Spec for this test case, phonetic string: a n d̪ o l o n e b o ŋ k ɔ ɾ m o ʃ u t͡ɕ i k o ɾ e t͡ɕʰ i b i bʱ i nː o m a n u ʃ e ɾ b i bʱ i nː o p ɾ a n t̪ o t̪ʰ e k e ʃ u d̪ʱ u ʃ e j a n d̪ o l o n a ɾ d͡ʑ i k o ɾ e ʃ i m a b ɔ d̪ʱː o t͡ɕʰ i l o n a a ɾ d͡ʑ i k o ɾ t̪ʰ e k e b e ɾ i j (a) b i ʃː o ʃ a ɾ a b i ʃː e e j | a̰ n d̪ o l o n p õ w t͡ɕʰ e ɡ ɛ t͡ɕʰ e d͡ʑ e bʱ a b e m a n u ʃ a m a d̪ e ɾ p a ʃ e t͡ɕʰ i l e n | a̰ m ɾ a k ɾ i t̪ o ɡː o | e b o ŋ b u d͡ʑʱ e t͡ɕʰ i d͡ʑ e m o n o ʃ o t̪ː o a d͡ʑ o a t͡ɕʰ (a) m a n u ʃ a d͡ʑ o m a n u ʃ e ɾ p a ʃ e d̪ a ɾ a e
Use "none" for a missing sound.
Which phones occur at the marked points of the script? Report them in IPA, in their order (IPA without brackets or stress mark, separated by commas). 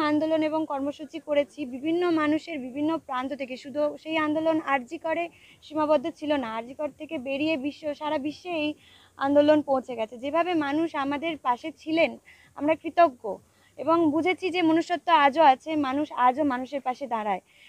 e, e